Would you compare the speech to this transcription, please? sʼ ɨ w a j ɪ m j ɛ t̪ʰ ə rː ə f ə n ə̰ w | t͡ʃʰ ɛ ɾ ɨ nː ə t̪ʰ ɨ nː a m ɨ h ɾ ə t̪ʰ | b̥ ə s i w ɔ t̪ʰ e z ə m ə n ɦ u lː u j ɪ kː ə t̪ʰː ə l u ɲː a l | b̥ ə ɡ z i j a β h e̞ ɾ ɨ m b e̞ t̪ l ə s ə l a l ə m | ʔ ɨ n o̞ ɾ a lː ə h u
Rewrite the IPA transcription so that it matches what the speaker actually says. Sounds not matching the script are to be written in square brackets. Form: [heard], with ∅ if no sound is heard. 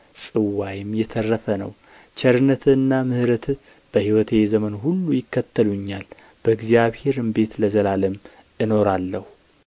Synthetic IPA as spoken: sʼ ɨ w a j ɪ m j ɛ t̪ʰ ə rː ə f ə n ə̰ w | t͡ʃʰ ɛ ɾ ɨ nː ə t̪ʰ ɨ nː a m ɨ h ɾ ə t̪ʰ | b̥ ə [h] i w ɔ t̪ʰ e z ə m ə n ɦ u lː u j ɪ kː ə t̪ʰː ə l u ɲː a l | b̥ ə ɡ z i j a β h e̞ ɾ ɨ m b e̞ t̪ l ə [z] ə l a l ə m | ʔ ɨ n o̞ ɾ a lː ə h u